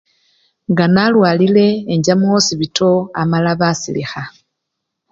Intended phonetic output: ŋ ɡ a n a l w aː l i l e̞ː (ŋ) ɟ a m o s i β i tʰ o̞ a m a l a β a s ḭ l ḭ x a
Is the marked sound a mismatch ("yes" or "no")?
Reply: yes